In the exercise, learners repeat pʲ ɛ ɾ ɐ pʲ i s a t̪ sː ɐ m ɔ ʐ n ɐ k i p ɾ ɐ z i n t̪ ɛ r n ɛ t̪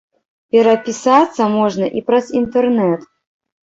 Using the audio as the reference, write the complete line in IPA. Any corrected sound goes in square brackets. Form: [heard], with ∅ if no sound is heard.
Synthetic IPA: pʲ ɛ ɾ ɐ pʲ i s a t̪ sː ɐ m ɔ ʐ n ɐ [ʔ] i p ɾ ɐ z i n t̪ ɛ r n ɛ t̪